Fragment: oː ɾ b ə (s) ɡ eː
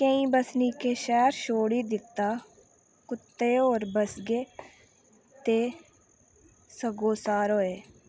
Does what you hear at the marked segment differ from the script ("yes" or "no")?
no